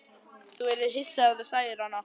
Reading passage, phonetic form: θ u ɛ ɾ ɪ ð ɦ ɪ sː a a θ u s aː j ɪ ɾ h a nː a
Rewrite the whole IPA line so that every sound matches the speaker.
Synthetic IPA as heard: θ u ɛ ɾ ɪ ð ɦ ɪ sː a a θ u s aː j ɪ ɾ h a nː a